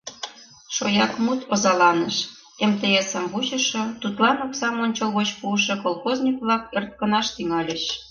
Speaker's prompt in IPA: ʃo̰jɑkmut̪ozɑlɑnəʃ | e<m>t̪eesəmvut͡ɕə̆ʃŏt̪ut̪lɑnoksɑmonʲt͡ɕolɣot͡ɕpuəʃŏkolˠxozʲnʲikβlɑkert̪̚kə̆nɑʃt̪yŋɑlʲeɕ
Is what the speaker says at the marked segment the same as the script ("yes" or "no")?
yes